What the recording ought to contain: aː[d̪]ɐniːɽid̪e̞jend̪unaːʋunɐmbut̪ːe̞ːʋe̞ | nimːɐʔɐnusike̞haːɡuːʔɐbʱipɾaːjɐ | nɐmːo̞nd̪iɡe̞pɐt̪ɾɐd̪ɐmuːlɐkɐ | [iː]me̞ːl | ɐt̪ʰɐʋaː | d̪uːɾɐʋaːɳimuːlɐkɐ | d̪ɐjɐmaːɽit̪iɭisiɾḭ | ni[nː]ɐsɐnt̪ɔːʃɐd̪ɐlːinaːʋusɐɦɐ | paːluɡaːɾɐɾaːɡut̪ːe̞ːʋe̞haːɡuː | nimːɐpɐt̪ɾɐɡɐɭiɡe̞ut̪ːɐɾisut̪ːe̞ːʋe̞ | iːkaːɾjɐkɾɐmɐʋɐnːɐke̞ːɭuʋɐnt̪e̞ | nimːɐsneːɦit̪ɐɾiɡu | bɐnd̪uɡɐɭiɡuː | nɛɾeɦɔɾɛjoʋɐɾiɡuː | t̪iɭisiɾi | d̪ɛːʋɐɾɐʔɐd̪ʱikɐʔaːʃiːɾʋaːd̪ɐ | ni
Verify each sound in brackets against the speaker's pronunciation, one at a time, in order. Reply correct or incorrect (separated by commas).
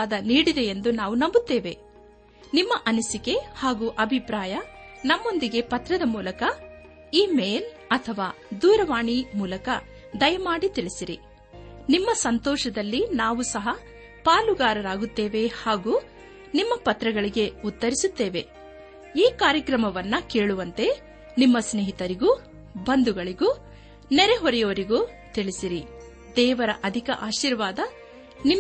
correct, correct, incorrect